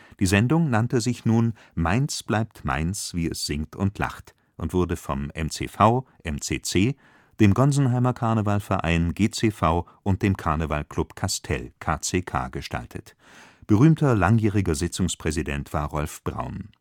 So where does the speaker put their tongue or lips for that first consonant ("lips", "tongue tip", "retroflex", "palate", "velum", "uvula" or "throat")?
tongue tip